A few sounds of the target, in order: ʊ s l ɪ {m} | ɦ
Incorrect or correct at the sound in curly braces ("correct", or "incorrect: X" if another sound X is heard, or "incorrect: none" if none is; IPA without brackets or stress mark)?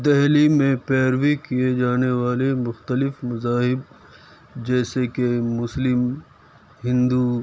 correct